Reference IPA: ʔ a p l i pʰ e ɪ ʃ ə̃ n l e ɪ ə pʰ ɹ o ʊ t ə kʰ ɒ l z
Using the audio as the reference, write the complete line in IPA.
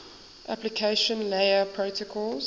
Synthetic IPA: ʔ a p l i kʰ e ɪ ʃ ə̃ n l e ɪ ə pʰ ɹ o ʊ t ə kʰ ɔ l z